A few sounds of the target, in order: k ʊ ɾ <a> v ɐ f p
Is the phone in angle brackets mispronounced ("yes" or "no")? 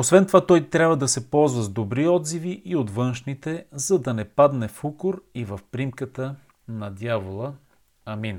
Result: yes